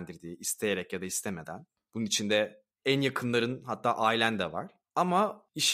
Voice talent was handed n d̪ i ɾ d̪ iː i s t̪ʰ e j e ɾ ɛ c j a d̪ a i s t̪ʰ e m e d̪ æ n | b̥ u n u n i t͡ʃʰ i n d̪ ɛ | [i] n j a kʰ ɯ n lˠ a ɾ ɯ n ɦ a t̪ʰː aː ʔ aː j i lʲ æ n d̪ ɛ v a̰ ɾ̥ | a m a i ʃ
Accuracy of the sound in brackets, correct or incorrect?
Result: incorrect